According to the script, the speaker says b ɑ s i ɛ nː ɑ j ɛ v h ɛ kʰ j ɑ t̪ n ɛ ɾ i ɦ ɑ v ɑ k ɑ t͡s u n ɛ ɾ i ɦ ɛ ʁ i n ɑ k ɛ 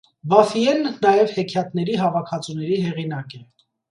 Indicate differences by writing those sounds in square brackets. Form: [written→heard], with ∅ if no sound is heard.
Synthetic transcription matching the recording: b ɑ [s→f] i ɛ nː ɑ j ɛ v h ɛ kʰ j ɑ t̪ n ɛ ɾ i ɦ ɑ v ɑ [k→kʰ] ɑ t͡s u n ɛ ɾ i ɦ ɛ ʁ i n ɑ k ɛ